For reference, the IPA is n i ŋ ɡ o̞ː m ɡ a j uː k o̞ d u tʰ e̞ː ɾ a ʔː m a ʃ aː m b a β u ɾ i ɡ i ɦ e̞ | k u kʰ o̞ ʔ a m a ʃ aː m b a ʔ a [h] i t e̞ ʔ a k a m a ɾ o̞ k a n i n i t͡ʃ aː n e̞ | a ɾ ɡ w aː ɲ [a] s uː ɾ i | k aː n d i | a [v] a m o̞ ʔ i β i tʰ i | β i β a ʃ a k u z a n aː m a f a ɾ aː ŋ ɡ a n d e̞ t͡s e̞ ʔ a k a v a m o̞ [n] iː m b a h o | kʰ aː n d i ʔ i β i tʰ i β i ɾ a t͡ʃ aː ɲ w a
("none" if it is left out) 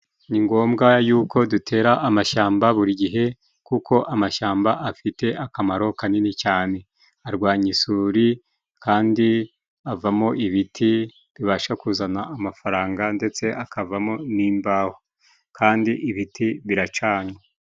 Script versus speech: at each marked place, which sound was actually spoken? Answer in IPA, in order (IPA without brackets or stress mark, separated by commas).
f, i, v, n